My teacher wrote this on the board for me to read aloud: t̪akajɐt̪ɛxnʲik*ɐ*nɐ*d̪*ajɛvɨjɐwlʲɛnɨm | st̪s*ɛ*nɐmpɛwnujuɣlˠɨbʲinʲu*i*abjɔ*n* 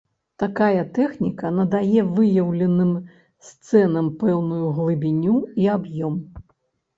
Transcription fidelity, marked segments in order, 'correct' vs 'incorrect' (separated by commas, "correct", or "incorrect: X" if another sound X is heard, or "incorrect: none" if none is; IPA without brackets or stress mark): correct, correct, correct, correct, incorrect: m